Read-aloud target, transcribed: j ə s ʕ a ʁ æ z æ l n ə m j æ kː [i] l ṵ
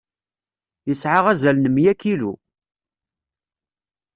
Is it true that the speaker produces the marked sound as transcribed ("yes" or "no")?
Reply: yes